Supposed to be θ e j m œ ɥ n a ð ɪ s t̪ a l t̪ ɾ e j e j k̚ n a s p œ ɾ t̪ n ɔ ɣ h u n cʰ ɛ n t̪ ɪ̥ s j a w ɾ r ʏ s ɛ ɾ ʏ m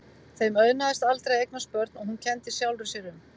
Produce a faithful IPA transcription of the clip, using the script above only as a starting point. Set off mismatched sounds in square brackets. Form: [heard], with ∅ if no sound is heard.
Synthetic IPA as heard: θ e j m œ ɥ n a ð ɪ s t̪ a l t̪ ɾ e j e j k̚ n a s p œ ɾ t̪ n ɔ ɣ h u n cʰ ɛ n t̪ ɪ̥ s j a w [l] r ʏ s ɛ ɾ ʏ m